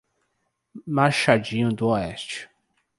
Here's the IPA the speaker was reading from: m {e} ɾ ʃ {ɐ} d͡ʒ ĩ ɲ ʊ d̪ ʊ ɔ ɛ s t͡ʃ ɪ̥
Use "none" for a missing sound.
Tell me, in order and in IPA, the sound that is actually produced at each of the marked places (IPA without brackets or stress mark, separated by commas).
a, a